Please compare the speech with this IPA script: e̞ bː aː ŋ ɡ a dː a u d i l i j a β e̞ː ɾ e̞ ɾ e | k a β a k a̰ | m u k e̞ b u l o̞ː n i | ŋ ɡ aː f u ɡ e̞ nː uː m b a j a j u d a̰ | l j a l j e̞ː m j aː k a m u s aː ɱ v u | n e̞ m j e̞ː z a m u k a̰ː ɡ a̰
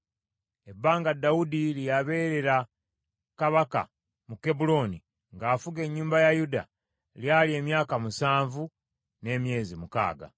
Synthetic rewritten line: e̞ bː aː ŋ ɡ a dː a u d i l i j a β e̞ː ɾ e̞ ɾ a | k a β a k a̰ | m u k e̞ b u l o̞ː n i | ŋ ɡ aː f u ɡ e̞ ɲː uː m b a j a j u d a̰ | l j a l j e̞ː m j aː k a m u s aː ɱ v u | n e̞ m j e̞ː z i m u k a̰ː ɡ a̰